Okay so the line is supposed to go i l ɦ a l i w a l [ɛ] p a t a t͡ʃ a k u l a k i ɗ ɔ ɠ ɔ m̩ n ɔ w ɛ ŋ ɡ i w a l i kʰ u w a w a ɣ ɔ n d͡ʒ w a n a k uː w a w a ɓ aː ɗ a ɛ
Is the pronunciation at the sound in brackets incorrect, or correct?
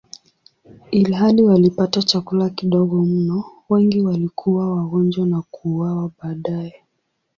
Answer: incorrect